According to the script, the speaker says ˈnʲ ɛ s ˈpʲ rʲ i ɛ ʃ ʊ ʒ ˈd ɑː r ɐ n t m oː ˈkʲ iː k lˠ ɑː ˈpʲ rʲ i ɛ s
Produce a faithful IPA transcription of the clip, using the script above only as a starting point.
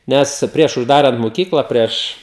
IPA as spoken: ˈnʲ ɛ s ˈpʲ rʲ i ɛ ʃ ʊ ʒ ˈd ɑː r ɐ n t m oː ˈkʲ iː k lˠ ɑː ˈpʲ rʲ i ɛ ʃ